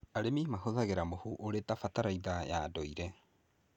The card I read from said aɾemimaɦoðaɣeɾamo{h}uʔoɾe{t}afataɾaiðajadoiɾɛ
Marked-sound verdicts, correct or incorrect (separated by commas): correct, correct